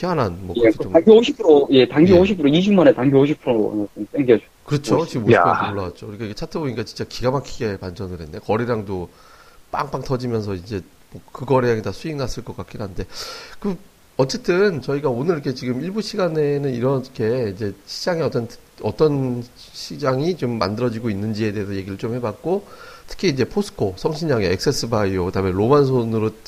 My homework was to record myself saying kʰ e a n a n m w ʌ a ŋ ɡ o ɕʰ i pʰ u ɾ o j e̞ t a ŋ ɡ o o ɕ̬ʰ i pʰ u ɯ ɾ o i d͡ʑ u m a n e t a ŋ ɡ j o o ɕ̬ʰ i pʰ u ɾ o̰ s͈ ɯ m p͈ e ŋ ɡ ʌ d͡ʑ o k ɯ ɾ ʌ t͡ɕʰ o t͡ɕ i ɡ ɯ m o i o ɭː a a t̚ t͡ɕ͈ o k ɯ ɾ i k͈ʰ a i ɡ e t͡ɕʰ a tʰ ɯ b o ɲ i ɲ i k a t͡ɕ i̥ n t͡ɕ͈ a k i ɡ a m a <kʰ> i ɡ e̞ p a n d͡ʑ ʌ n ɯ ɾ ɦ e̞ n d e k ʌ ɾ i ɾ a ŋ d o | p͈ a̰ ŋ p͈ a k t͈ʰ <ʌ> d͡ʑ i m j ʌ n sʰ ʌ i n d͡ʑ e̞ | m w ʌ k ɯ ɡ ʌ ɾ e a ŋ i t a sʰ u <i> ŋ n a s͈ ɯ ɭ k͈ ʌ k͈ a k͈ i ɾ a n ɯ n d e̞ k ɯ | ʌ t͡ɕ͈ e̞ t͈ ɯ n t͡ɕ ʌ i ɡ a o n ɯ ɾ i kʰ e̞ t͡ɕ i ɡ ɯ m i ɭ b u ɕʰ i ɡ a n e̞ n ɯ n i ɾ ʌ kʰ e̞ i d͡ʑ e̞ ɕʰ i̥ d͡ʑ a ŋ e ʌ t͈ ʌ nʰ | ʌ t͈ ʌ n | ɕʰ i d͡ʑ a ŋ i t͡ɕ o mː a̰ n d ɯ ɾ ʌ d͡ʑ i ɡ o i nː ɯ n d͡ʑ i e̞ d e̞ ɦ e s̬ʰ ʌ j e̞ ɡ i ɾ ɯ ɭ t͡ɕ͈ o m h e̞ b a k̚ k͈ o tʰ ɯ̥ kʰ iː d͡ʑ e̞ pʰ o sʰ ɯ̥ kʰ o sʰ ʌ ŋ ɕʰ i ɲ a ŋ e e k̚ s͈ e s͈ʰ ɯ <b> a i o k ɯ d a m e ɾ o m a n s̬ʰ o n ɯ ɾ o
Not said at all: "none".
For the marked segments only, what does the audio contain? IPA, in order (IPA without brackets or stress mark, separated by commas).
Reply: kʰ, ʌ, i, b